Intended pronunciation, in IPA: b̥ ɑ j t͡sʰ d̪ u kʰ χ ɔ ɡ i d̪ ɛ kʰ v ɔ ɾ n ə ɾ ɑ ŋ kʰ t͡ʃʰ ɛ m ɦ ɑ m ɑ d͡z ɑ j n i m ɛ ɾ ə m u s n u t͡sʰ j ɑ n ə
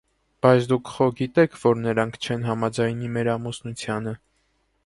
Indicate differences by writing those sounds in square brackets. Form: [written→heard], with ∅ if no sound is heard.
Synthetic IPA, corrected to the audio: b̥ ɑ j t͡sʰ d̪ u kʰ χ ɔ ɡ i [d̪→t̪] ɛ kʰ v ɔ ɾ n ə ɾ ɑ ŋ kʰ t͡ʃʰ ɛ [m→n] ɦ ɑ m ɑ d͡z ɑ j n i m ɛ ɾ [ə→ɑ] m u s n u t͡sʰ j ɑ n ə

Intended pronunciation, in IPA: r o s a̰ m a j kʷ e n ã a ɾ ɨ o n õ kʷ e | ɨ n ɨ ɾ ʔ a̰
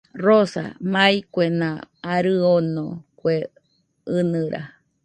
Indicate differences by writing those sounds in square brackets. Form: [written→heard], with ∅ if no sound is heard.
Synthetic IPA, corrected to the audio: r o s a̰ m a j kʷ e n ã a ɾ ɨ o n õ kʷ e | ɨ n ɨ ɾ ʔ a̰

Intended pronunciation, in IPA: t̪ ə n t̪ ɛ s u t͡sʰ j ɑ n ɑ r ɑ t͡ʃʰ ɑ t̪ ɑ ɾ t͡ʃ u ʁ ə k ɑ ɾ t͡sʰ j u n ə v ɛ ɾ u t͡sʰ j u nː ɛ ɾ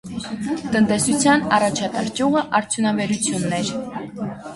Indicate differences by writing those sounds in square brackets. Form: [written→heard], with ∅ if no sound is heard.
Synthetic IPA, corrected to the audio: t̪ ə n t̪ ɛ s u t͡sʰ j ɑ n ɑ r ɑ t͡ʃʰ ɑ t̪ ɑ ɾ t͡ʃ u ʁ ə [k→ʔ] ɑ ɾ t͡sʰ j u n [ə→ɑ] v ɛ ɾ u t͡sʰ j u nː ɛ ɾ

